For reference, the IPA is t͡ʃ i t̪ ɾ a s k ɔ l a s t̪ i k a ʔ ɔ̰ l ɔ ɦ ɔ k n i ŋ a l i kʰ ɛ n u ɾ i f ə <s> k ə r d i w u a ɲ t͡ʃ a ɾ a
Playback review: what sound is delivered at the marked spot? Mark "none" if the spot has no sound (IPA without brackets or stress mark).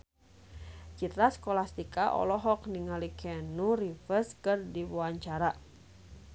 s